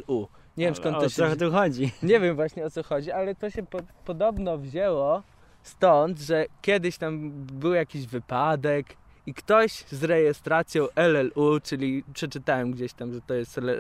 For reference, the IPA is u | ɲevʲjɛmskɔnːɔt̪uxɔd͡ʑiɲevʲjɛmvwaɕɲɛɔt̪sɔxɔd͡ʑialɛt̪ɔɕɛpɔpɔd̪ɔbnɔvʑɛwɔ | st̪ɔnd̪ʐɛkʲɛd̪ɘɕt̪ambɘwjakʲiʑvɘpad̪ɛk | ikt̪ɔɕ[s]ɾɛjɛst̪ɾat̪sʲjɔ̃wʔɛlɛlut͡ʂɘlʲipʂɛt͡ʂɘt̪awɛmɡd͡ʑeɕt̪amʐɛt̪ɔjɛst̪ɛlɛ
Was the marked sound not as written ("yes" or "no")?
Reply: yes